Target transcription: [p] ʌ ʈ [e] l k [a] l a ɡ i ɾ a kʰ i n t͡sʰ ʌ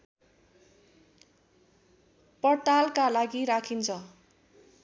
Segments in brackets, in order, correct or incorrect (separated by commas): correct, incorrect, correct